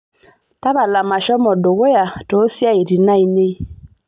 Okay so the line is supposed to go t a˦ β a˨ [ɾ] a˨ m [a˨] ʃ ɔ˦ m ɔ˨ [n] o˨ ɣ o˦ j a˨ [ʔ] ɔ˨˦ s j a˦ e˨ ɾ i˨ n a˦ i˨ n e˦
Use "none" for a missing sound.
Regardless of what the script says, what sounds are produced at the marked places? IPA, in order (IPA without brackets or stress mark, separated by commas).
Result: l, a˨, d, t